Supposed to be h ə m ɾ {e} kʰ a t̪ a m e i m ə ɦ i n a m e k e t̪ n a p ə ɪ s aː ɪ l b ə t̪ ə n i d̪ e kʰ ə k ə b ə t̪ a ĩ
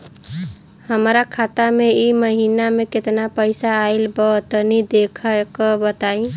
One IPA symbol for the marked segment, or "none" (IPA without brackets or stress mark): a